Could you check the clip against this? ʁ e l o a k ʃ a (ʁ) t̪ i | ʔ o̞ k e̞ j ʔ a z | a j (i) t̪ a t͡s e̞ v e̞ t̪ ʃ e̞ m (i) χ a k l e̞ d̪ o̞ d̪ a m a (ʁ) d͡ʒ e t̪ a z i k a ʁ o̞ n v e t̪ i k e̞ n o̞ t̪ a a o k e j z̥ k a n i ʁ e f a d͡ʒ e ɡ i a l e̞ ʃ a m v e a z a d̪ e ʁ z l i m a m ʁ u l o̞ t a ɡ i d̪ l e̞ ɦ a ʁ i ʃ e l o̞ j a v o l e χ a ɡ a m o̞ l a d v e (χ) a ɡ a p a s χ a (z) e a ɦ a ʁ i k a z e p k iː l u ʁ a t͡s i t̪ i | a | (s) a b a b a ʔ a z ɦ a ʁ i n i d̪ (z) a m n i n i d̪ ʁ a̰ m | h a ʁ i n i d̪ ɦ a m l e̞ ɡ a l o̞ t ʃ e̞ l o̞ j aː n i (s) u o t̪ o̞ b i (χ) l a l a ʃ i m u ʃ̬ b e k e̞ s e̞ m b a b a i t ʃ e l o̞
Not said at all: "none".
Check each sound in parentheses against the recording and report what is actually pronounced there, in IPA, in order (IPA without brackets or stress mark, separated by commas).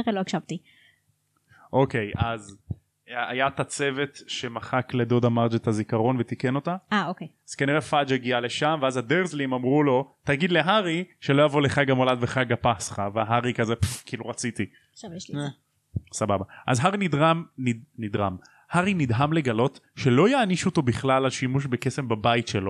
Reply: v, a, a, ʁ, χ, v, s, ʁ, ʃ, χ